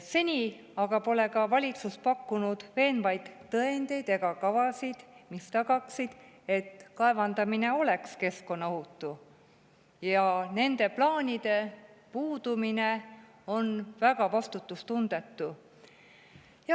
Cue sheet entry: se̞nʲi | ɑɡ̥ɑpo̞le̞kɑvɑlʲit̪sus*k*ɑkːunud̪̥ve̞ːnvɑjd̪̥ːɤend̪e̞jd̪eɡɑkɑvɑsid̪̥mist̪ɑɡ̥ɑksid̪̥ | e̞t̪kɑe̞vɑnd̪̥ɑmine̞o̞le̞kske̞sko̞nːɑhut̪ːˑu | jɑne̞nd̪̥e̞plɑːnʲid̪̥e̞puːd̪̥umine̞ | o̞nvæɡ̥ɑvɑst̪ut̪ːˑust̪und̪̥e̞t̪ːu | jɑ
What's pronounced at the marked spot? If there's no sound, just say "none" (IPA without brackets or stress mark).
p